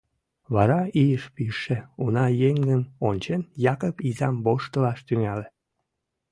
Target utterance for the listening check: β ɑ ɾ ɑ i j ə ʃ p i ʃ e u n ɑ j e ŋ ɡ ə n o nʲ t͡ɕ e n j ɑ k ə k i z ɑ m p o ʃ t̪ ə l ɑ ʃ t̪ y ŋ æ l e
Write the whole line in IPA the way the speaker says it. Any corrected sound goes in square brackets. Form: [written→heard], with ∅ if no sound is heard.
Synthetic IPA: β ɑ ɾ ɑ i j ə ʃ p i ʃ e u n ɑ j e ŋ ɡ ə n o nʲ t͡ɕ e n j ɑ k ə [k→p] i z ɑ m [p→b] o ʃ t̪ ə l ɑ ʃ t̪ y ŋ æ l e